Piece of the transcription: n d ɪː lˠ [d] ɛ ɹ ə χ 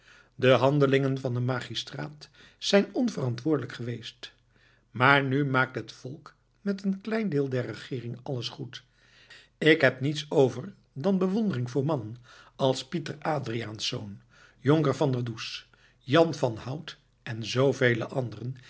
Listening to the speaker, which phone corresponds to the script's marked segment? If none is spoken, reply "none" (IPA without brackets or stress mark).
d